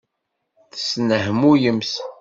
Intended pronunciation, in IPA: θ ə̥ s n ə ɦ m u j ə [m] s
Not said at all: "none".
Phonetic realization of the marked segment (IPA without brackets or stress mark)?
m